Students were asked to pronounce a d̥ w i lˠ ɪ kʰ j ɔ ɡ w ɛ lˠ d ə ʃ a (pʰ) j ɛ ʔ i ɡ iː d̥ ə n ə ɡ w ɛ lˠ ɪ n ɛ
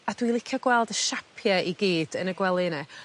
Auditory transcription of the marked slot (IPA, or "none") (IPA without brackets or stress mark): pʰ